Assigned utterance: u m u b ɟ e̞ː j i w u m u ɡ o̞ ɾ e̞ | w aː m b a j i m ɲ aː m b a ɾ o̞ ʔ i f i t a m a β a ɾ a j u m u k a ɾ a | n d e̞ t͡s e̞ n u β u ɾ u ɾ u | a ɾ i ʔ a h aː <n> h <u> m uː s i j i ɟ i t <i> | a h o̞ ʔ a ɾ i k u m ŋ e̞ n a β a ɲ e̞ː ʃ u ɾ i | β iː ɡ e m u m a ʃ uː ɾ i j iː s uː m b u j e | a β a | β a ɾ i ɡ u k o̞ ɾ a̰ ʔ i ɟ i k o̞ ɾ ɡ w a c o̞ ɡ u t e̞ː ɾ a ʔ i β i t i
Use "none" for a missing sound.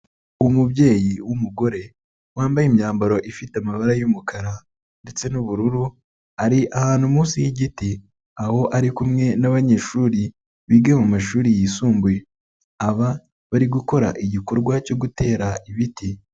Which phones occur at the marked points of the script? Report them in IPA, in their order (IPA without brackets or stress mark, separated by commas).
n, u, i